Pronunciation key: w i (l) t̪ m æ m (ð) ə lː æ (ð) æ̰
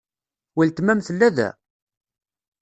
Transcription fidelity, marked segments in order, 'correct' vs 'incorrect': correct, incorrect: θ, correct

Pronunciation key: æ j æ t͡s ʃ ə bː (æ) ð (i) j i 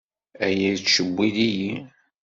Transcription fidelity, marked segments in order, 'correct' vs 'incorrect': incorrect: i, correct

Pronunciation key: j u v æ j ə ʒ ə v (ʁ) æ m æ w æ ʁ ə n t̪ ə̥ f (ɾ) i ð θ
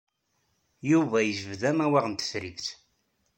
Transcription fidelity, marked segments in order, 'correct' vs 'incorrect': incorrect: ð, correct

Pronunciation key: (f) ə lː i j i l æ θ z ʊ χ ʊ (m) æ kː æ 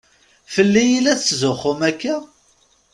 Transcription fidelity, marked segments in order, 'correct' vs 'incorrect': correct, correct

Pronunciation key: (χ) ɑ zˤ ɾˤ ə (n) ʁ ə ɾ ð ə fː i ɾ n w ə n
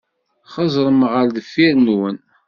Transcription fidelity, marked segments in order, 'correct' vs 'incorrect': correct, incorrect: m

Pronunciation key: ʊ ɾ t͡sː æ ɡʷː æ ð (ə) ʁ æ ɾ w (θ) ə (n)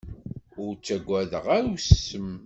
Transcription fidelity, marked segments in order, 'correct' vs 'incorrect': correct, incorrect: s, incorrect: m

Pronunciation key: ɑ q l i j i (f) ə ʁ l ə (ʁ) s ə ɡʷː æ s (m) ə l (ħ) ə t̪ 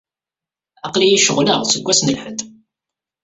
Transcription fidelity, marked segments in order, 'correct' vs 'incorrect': incorrect: ʃ, correct, incorrect: n, correct

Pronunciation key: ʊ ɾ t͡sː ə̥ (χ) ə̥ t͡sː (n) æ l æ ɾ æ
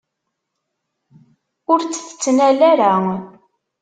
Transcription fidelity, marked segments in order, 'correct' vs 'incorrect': incorrect: θ, correct

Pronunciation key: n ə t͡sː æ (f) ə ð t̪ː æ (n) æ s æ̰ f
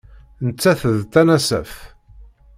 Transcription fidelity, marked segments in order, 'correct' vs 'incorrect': incorrect: θ, correct

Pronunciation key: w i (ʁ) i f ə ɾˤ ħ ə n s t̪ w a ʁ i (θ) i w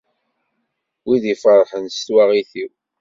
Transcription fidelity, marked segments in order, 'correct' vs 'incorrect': incorrect: ð, correct

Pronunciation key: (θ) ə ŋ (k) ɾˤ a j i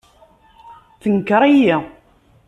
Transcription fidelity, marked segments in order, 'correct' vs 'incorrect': correct, correct

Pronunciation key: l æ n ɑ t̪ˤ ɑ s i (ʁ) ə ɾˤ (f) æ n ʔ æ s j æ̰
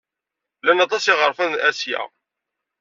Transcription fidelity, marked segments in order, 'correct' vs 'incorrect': correct, correct

